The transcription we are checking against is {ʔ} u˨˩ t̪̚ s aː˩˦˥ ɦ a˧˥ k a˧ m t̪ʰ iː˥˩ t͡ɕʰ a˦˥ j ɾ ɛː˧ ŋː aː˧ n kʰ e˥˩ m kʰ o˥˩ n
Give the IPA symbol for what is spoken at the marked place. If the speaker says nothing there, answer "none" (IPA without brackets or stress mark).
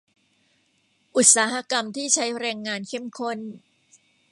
ʔ